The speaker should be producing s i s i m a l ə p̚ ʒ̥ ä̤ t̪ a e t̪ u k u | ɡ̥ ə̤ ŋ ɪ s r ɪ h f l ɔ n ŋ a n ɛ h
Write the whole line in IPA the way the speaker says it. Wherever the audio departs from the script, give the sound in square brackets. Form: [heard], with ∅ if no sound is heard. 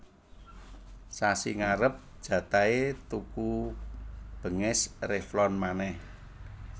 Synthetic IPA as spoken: s [a] s i [ŋ] a [ɾ] ə p̚ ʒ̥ ä̤ t̪ a e t̪ u k u | [b̥] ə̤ ŋ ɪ s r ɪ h f l ɔ n [m] a n ɛ h